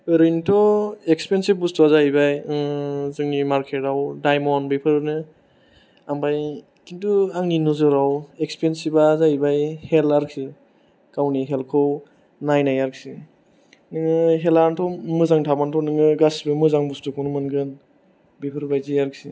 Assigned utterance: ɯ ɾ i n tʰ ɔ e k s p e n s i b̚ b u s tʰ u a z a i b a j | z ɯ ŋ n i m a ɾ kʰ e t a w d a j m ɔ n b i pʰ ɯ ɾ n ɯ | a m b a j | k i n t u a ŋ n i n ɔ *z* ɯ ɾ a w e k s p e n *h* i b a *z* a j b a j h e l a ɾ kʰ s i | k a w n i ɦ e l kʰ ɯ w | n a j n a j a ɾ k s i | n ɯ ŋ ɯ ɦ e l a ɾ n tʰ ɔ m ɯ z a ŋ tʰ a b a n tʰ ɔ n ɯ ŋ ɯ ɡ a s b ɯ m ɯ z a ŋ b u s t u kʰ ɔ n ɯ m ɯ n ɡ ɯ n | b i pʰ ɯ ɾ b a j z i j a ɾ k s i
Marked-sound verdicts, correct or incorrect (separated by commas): correct, incorrect, correct